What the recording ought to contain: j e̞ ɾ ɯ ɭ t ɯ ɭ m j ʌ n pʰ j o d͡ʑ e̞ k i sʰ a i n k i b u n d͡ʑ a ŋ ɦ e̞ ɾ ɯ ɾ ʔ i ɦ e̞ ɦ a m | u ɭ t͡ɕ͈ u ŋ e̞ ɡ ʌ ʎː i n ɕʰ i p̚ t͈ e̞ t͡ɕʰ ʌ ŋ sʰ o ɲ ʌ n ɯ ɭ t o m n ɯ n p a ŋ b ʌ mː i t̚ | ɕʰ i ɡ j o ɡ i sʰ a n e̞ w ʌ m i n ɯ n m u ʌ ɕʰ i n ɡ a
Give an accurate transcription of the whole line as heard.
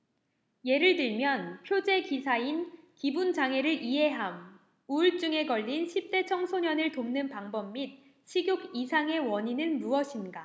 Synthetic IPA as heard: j e̞ ɾ ɯ ɭ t ɯ ɭ m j ʌ n pʰ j o d͡ʑ e̞ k i sʰ a i n k i b u n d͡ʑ a ŋ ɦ e̞ ɾ ɯ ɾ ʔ i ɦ e̞ ɦ a m | u ɭ t͡ɕ͈ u ŋ e̞ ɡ ʌ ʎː i n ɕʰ i p̚ t͈ e̞ t͡ɕʰ ʌ ŋ sʰ o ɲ ʌ n ɯ ɭ t o m n ɯ n p a ŋ b ʌ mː i t̚ | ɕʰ i ɡ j o ɡ i sʰ a ŋ e̞ w ʌ ɲ i n ɯ n m u ʌ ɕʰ i n ɡ a